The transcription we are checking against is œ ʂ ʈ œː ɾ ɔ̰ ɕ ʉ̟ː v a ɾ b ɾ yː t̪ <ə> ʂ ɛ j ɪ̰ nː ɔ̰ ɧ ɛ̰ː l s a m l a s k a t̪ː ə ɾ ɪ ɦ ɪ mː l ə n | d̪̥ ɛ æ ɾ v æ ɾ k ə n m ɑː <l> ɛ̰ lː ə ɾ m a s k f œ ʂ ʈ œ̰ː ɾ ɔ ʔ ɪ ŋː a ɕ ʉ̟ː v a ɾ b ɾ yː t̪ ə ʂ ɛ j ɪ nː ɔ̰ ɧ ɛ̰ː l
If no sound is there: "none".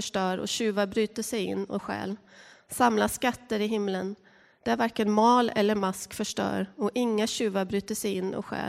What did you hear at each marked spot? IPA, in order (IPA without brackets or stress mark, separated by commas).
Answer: ə, l